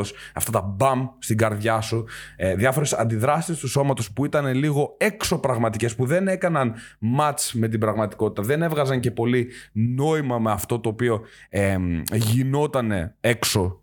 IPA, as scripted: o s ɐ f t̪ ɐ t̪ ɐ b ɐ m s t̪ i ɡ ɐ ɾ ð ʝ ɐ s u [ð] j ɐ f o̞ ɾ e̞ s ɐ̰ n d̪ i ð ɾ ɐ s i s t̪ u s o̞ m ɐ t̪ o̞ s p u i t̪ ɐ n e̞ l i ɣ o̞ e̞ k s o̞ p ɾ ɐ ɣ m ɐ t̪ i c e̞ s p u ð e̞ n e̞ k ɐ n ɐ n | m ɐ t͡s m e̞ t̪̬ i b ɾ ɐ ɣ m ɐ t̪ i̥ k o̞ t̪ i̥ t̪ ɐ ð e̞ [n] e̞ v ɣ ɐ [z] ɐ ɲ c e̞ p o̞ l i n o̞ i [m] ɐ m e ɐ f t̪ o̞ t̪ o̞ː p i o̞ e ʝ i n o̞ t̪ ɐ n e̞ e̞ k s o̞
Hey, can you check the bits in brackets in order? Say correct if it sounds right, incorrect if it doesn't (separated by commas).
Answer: correct, correct, correct, correct